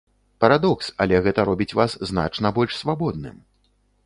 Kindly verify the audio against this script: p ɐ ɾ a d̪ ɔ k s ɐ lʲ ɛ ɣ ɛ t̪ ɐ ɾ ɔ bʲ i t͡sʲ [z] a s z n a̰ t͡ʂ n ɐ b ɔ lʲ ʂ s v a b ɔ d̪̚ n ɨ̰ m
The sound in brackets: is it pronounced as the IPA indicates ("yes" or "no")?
no